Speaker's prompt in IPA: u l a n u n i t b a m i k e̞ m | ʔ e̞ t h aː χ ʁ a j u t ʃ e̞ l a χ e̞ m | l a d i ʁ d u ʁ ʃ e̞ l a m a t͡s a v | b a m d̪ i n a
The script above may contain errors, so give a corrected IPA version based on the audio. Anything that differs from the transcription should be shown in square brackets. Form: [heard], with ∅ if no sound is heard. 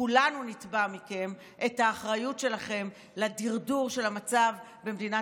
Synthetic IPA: u l a n u n i t b a m i k e̞ m | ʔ e̞ t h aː χ ʁ a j u t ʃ e̞ l a χ e̞ m | l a d i ʁ d u ʁ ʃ e̞ l a m a t͡s a v | b [e] m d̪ i n a